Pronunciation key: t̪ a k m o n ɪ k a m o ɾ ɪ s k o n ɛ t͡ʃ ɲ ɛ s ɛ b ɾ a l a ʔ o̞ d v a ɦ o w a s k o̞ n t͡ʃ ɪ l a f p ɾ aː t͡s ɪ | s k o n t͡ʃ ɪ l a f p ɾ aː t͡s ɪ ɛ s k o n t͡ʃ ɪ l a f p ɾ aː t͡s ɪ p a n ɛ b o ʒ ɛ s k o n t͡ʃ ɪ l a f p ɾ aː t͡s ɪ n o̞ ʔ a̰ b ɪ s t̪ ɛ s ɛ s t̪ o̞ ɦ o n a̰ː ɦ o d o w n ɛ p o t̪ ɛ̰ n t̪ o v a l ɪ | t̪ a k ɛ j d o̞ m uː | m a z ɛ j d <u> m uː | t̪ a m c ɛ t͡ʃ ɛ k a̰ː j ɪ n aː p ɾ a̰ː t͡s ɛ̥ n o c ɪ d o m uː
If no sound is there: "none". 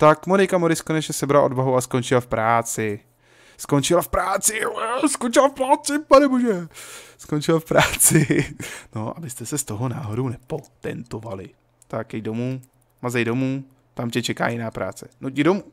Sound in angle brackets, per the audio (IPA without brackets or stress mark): o